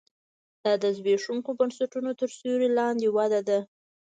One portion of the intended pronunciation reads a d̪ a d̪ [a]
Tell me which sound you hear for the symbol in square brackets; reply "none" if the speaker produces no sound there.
a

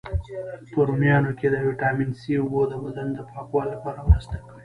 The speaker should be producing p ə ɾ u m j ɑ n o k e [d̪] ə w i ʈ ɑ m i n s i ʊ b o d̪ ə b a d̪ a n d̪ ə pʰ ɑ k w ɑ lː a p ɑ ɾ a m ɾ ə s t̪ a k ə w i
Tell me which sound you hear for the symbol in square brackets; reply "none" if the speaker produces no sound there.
d̪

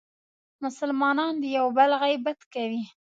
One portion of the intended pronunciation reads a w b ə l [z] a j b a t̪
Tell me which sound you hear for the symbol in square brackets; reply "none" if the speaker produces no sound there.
ɣ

